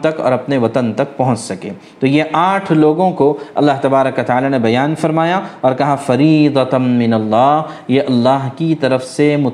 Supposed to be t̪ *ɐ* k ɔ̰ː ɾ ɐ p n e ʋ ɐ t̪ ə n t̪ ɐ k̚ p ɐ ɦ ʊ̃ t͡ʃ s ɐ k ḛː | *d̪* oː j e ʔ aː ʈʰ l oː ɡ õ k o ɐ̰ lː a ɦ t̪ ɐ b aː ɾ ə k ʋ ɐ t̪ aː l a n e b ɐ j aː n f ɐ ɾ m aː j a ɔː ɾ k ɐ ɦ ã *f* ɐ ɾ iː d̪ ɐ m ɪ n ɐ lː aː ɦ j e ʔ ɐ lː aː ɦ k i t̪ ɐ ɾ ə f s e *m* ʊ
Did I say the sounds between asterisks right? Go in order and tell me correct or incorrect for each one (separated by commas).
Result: correct, incorrect, correct, correct